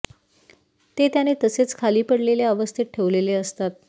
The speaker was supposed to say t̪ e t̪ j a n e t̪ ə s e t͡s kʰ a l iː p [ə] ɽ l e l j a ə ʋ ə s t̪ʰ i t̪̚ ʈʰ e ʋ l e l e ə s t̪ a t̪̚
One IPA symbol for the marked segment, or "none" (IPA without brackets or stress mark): ə